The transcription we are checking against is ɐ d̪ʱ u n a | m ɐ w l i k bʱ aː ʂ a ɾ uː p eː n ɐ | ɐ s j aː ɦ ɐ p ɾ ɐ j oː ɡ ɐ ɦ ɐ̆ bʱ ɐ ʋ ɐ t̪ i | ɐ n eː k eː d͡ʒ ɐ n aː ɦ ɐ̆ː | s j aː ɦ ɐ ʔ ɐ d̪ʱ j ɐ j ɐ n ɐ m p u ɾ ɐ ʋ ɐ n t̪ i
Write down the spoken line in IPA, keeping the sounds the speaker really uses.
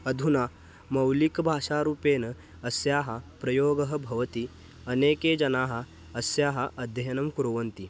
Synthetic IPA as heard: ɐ d̪ʱ u n a | m ɐ w l i k bʱ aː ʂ a ɾ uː p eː n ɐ | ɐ s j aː ɦ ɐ p ɾ ɐ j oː ɡ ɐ ɦ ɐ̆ bʱ ɐ ʋ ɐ t̪ i | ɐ n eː k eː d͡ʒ ɐ n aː ɦ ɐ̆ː | s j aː ɦ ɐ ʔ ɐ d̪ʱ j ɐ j ɐ n ɐ m k u ɾ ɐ ʋ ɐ n t̪ i